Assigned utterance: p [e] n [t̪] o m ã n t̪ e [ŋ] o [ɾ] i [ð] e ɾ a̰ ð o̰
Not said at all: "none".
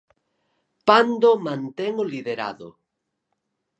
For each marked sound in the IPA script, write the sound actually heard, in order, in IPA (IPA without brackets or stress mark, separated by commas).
a, d̪, ŋ, l, ð